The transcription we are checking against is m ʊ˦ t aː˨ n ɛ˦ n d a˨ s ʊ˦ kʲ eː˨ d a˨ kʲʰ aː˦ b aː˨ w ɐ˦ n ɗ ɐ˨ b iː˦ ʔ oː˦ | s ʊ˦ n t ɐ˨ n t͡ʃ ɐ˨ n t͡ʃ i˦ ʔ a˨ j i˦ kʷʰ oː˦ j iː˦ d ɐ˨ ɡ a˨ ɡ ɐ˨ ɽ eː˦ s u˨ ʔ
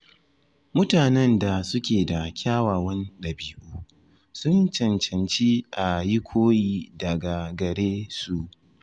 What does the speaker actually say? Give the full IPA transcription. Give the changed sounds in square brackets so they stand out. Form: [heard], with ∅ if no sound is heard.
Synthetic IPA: m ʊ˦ t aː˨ n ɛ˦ n d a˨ s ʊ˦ kʲ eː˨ d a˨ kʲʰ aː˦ [w] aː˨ w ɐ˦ n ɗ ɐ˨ b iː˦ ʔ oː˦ | s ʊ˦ n [t͡ʃ] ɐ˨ n t͡ʃ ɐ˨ n t͡ʃ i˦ ʔ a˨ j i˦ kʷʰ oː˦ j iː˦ d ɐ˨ ɡ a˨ ɡ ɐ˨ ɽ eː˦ s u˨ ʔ